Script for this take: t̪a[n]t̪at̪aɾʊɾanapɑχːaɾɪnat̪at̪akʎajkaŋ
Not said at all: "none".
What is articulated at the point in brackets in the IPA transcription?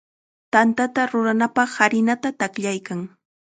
n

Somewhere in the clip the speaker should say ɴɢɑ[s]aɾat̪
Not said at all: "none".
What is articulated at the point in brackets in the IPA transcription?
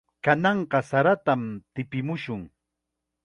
s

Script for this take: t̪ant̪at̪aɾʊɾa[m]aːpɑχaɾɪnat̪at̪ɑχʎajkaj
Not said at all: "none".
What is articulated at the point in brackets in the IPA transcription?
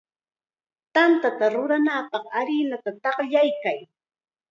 n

